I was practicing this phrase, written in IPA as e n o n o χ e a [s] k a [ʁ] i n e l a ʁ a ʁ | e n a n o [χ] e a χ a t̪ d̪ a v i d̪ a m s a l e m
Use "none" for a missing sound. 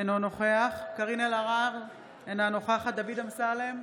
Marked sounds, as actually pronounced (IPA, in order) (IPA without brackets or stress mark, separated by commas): χ, ʁ, χ